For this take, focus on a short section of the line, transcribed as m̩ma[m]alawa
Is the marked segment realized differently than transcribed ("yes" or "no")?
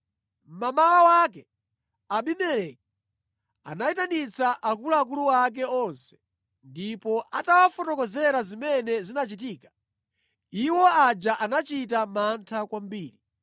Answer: no